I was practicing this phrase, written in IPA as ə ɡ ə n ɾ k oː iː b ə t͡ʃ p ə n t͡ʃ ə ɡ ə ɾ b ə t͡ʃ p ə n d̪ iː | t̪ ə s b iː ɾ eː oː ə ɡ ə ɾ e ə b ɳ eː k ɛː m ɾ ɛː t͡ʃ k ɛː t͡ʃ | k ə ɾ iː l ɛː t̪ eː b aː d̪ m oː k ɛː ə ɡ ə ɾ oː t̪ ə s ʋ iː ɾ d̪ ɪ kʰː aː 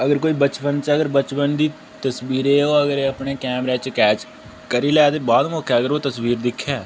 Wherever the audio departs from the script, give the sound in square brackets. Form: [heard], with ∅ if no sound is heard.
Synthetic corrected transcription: ə ɡ ə [∅] ɾ k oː iː b ə t͡ʃ p ə n t͡ʃ ə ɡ ə ɾ b ə t͡ʃ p ə n d̪ iː | t̪ ə s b iː ɾ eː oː ə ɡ ə ɾ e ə [p] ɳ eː k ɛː m ɾ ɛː t͡ʃ k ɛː t͡ʃ | k ə ɾ iː l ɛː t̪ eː b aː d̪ m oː k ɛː ə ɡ ə ɾ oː t̪ ə s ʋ iː ɾ d̪ ɪ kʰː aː

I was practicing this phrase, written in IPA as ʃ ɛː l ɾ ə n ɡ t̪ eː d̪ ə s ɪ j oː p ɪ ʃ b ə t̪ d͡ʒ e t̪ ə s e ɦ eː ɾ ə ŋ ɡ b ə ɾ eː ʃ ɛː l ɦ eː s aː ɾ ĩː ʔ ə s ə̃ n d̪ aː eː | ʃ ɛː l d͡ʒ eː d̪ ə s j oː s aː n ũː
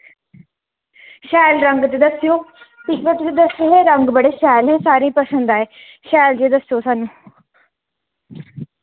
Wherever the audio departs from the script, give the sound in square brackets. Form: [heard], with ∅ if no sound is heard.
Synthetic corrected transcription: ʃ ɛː l ɾ ə [ŋ] ɡ t̪ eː d̪ ə s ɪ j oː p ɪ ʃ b ə t̪ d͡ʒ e [d̪] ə s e ɦ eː ɾ ə ŋ ɡ b ə [ɽ] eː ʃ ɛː l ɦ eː s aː ɾ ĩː [p] ə s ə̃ n d̪ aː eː | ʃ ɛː l d͡ʒ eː d̪ ə s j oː s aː n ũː

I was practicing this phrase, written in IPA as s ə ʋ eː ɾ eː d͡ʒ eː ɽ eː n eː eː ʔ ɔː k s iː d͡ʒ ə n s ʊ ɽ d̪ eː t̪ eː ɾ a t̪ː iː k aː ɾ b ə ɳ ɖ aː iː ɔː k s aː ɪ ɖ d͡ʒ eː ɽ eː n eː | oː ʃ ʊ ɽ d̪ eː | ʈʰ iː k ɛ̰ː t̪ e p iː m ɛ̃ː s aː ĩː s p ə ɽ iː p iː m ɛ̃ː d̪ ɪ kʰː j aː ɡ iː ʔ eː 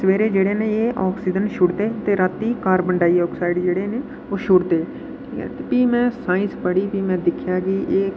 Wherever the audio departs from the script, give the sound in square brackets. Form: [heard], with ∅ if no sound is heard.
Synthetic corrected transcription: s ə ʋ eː ɾ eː d͡ʒ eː ɽ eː n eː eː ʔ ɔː k s iː d͡ʒ ə n [ʃ] ʊ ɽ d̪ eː t̪ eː ɾ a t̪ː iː k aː ɾ b ə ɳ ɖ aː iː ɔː k s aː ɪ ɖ d͡ʒ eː ɽ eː n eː | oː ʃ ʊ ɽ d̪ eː | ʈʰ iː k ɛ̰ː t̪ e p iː m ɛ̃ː s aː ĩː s p ə ɽ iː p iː m ɛ̃ː d̪ ɪ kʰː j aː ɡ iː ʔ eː

